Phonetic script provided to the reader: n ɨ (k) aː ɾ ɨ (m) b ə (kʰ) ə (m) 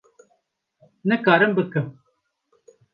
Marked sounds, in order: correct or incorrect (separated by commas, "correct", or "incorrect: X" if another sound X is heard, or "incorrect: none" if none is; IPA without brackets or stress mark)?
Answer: correct, correct, incorrect: k, correct